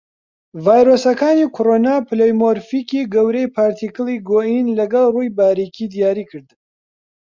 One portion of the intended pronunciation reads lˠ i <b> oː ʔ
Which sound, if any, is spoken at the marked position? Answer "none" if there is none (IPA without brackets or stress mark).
ɡ